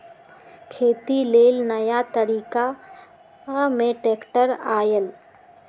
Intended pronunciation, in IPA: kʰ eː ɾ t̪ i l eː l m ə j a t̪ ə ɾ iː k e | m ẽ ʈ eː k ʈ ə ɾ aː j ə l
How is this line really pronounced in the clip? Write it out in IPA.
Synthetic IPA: kʰ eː t̪ i l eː l n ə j a t̪ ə ɾ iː k a | m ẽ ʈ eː k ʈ ə ɾ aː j ə l